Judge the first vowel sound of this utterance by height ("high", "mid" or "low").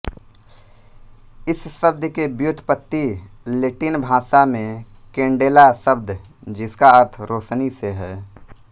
high